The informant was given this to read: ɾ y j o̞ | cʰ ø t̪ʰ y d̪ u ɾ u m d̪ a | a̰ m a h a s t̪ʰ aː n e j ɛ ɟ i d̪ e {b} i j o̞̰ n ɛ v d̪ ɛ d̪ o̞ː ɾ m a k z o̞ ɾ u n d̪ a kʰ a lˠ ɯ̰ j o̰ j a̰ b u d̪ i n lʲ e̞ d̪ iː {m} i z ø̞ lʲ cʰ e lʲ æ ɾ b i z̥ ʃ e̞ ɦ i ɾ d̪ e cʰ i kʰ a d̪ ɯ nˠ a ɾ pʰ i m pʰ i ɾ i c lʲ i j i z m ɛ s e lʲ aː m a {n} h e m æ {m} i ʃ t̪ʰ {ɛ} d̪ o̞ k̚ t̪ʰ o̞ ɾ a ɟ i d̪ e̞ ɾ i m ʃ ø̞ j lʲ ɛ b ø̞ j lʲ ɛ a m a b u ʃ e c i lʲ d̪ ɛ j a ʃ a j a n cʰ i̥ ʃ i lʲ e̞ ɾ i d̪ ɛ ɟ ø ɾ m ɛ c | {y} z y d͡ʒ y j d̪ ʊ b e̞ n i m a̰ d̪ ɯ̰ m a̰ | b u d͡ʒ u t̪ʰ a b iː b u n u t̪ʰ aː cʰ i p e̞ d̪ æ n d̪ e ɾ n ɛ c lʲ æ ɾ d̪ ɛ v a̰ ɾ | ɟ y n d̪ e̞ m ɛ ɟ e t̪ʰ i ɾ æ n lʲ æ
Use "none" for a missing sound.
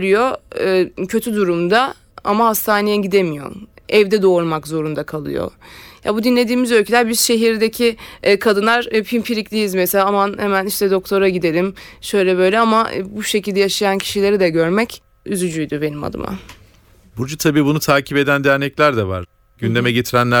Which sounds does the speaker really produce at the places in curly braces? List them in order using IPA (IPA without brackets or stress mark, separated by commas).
m, m, n, n, ɛ, y